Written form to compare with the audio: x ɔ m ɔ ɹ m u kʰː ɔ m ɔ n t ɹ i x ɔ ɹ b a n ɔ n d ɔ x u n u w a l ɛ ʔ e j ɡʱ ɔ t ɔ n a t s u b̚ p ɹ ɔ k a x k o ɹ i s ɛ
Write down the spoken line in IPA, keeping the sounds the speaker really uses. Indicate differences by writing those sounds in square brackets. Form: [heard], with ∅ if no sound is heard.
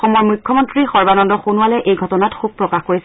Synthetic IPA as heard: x ɔ m ɔ ɹ m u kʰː ɔ m ɔ n t ɹ i x ɔ ɹ b a n ɔ n d ɔ x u n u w a l ɛ ʔ e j ɡʱ ɔ t ɔ n a t [x] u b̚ p ɹ ɔ k a x k o ɹ i s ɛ